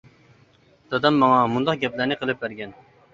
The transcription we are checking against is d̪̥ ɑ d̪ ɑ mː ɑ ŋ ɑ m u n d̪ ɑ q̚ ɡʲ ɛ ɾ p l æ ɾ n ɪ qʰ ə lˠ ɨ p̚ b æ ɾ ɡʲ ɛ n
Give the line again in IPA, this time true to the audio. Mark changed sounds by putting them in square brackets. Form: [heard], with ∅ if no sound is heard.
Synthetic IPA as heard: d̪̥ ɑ d̪ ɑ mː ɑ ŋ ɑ m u n d̪ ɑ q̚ ɡʲ ɛ [∅] p l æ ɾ n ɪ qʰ ə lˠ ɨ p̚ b æ ɾ ɡʲ ɛ n